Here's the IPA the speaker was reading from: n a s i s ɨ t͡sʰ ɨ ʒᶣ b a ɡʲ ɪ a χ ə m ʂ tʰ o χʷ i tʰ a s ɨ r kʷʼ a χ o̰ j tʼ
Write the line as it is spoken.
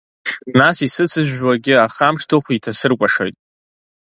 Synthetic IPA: n a s i s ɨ t͡sʰ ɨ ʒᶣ w a ɡʲ ɪ a χ a m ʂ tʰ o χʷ i tʰ a s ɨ r kʷʼ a ʂ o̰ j tʼ